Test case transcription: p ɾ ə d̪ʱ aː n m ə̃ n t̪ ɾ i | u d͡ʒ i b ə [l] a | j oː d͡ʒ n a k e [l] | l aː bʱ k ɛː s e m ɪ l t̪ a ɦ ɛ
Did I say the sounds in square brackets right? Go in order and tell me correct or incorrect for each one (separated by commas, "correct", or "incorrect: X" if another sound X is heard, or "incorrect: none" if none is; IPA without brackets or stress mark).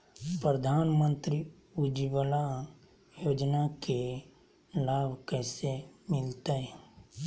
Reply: correct, incorrect: none